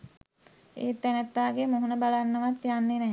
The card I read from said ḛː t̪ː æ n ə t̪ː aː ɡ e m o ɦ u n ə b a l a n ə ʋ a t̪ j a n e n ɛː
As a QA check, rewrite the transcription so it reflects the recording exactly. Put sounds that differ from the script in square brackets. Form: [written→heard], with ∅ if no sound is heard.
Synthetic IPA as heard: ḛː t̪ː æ n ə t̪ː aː ɡ e m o ɦ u n ə b a l a [n→nː] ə ʋ a t̪ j a [n→nː] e n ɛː